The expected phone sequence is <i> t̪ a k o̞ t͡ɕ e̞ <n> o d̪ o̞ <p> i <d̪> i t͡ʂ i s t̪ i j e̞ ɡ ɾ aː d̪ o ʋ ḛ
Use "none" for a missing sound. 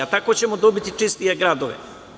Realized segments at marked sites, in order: a, m, b, t̪

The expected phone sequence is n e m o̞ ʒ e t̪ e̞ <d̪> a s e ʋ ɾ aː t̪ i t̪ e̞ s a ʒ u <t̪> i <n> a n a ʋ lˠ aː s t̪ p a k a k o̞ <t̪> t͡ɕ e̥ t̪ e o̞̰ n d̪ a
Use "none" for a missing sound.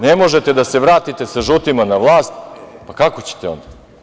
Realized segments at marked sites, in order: d̪, t̪, m, none

